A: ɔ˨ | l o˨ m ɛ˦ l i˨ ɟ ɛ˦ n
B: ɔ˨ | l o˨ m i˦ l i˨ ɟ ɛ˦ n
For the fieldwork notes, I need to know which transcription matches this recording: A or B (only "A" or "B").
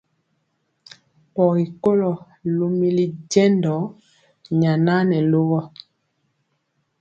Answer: B